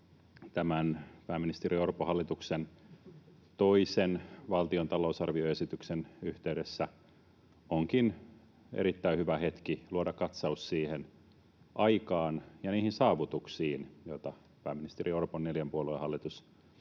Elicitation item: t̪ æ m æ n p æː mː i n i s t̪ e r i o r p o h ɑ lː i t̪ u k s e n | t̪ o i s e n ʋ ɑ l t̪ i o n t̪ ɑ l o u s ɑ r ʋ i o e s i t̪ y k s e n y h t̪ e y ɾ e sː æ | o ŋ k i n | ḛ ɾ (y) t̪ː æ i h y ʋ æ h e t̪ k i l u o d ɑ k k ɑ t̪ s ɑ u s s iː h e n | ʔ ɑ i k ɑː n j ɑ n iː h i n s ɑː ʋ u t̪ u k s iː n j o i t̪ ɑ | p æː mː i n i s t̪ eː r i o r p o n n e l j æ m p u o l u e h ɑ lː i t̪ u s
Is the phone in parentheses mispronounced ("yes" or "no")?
yes